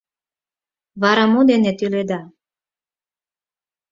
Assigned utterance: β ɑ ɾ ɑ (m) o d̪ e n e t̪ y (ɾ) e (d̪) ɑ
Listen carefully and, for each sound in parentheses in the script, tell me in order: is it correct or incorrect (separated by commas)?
correct, incorrect, correct